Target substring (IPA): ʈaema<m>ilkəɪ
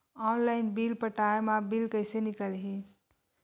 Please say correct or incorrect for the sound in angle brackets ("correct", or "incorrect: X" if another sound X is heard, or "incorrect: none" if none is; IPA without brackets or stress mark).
incorrect: b